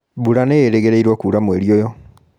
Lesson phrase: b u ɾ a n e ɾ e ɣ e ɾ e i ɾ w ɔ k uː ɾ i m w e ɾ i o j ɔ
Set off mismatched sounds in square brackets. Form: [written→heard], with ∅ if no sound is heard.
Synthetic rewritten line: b u ɾ a n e ɾ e ɣ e ɾ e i ɾ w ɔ k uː ɾ [i→a] m w e ɾ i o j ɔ

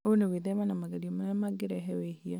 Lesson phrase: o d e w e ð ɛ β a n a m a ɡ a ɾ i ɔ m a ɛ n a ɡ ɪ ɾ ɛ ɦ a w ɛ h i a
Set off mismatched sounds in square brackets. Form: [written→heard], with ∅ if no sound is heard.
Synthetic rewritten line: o [d→n] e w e ð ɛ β a n a m a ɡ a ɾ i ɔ m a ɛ [n→m] a ɡ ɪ ɾ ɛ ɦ [a→ɛ] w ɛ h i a

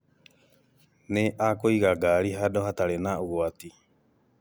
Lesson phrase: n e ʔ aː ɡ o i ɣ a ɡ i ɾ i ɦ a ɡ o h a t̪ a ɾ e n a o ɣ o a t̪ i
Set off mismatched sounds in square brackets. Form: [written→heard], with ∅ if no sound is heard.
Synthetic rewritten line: n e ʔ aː [ɡ→k] o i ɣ a ɡ [i→a] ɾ i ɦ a [ɡ→d] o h a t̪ a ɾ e n a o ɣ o a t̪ i

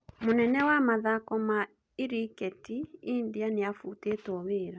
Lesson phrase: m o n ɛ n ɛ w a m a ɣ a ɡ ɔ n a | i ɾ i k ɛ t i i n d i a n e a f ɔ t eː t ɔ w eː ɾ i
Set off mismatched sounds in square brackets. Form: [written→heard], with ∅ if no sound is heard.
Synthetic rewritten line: m o n ɛ n ɛ w a m a [ɣ→ð] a [ɡ→k] ɔ [n→m] a | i ɾ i k ɛ t i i n d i a n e a f [ɔ→u] t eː t ɔ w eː ɾ [i→a]

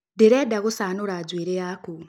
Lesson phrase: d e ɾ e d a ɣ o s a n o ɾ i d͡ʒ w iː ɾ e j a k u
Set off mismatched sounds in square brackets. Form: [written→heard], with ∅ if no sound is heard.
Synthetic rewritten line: d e ɾ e d a ɣ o s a n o ɾ [i→a] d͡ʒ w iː ɾ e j a k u

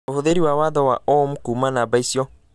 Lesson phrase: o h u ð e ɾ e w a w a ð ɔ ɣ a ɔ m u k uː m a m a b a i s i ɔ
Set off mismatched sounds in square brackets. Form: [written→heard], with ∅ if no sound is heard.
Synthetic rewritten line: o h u ð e ɾ [e→i] w a w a ð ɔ [ɣ→w] a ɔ m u k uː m a [m→n] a b a i s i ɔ

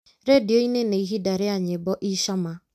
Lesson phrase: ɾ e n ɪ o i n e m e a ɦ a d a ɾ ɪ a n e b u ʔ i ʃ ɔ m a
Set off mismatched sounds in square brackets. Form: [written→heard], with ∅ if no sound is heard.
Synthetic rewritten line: ɾ e [n→d] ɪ o i n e [m→n] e [a→i] ɦ [a→i] d a ɾ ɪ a [n→ɲ] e b [u→ɔ] ʔ i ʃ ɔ m a

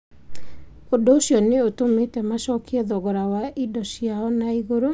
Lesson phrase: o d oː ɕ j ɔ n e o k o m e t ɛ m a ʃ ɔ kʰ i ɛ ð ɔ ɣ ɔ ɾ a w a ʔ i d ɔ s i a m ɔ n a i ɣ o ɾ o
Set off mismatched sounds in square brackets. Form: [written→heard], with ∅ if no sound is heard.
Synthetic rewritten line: o d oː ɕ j ɔ n e o [k→t] o m e t ɛ m a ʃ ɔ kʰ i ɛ ð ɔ ɣ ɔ ɾ a w a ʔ i d ɔ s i a [m→∅] ɔ n a i ɣ o ɾ o

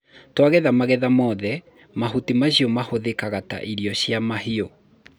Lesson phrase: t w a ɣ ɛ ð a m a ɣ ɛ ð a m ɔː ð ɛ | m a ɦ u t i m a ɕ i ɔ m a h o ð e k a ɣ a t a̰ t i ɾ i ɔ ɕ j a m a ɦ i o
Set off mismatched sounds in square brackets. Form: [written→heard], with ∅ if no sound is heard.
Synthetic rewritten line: t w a ɣ ɛ ð a m a ɣ ɛ ð a m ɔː ð ɛ | m a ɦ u t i m a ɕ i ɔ m a h o ð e k a ɣ a t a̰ [t→ʔ] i ɾ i ɔ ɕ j a m a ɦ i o

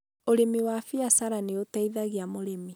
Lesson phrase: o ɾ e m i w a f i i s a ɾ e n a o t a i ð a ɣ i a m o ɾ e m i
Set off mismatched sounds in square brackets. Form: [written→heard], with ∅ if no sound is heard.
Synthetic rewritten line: o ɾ e m i w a f i [i→a] s a ɾ [e→a] n [a→e] o t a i ð a ɣ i a m o ɾ e m i

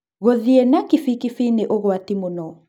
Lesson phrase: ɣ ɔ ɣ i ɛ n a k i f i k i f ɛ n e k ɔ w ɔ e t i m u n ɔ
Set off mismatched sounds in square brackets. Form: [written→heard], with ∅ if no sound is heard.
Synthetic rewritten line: ɣ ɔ [ɣ→ð] i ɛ n a k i f i k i f [ɛ→i] n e [k→ʔ] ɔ [w→ɣ] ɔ [e→a] t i m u n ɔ

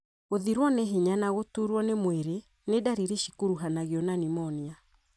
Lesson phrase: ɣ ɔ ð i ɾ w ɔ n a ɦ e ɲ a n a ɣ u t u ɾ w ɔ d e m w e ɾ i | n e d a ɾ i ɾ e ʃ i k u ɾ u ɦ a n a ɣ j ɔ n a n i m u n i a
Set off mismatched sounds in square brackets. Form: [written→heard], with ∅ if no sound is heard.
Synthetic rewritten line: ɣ [ɔ→o] ð i ɾ w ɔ n [a→e] ɦ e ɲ a n a ɣ [u→o] t u ɾ w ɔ [d→n] e m w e ɾ [i→e] | n e d a ɾ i ɾ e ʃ i k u ɾ u ɦ a n a ɣ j ɔ n a n i m [u→ɔ] n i a

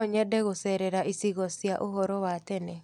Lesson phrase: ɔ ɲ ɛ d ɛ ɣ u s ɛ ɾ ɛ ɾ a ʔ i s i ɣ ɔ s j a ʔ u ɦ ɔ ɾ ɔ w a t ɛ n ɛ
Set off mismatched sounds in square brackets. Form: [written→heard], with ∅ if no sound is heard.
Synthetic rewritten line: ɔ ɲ ɛ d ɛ ɣ [u→o] s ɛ ɾ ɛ ɾ a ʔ i s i ɣ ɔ s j a ʔ [u→o] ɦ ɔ ɾ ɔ w a t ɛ n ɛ

